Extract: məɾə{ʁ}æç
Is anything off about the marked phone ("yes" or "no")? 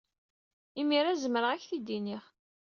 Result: no